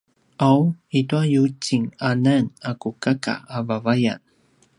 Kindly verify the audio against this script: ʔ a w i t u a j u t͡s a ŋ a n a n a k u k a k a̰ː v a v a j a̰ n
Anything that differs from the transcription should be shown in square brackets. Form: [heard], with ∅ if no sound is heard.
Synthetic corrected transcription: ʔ a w i t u a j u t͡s [i] ŋ a n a n a k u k a k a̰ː v a v a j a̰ n

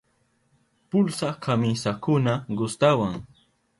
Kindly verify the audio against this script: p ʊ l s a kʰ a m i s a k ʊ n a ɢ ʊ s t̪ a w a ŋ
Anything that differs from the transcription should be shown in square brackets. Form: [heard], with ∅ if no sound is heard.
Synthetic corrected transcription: p ʊ l s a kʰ a m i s a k ʊ n a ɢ ʊ s t̪ a w a ŋ

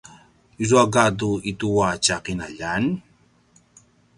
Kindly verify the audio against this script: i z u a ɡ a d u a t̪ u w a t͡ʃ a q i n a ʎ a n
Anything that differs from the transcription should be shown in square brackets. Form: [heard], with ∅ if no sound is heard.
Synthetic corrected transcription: i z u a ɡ a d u [i] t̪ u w a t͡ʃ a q i n a ʎ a n

